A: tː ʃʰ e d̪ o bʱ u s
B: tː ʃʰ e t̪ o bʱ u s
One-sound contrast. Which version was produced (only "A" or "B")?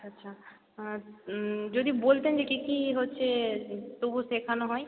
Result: B